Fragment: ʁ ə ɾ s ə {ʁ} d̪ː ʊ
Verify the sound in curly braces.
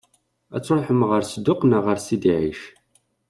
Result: incorrect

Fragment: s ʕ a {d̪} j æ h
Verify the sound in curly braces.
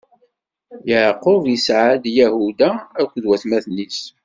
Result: correct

